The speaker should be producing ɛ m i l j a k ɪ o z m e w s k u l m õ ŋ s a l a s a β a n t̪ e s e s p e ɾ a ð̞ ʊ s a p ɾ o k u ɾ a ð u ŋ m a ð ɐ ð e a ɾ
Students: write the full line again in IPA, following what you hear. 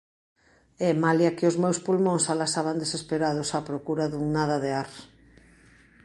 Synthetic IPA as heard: ɛ m a l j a k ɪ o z m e w s p u l m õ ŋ s a l a s a β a n d̪ e s e s p e ɾ a ð̞ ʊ s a p ɾ o k u ɾ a ð u ŋ n a ð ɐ ð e a ɾ